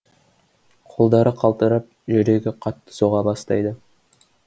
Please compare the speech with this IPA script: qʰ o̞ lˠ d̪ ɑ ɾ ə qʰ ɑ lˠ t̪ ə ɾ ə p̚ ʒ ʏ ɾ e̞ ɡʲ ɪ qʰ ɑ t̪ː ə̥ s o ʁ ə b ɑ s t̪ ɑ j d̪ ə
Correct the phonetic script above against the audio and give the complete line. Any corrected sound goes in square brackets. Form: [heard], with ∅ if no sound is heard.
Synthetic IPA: qʰ o̞ lˠ d̪ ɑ ɾ ə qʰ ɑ lˠ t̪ ə ɾ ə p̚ ʒ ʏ ɾ e̞ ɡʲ ɪ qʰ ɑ t̪ː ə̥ s o ʁ [ɑ] b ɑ s t̪ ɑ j d̪ ə